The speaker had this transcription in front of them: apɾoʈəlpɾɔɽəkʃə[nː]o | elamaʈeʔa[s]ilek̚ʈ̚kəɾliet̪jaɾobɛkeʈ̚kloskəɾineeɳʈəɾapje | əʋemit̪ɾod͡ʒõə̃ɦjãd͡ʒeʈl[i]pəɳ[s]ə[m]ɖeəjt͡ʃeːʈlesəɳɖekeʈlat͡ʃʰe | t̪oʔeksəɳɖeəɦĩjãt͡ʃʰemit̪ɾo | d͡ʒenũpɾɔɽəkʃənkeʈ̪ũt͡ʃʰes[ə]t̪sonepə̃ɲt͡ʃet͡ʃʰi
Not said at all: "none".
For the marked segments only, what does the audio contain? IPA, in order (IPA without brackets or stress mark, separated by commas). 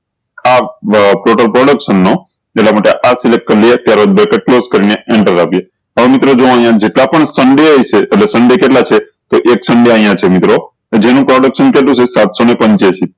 nː, s, a, s, ɳ, a